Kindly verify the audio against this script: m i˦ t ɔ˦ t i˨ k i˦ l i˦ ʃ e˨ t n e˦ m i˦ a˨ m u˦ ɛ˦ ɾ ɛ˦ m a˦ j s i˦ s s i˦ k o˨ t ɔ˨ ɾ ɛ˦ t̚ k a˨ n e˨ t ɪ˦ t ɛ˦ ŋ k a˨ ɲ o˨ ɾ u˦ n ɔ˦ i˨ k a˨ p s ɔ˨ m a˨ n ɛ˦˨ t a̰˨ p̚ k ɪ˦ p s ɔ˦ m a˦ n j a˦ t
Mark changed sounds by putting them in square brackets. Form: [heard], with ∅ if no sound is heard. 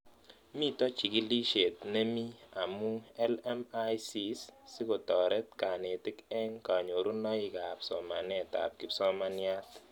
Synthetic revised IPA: m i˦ t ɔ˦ [t͡ʃ] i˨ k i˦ l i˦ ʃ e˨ t n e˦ m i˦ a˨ m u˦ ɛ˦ [l] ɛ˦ m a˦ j s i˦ s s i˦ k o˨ t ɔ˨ ɾ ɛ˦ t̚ k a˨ n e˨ t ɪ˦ [k] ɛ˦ ŋ k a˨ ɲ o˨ ɾ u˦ n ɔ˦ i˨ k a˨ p s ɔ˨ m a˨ n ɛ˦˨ t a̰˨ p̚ k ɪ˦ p s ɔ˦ m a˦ n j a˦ t